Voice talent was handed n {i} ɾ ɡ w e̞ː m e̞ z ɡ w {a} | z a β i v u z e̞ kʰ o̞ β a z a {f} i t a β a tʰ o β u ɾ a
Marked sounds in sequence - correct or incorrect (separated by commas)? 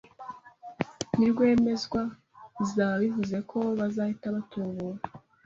correct, correct, incorrect